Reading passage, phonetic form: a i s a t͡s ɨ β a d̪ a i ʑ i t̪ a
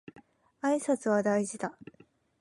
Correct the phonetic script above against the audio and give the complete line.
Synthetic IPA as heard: a i s a t͡s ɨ β a d̪ a i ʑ i d̪ a